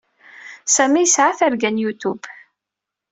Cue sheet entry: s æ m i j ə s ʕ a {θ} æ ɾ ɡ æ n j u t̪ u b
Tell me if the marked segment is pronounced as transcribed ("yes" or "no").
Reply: yes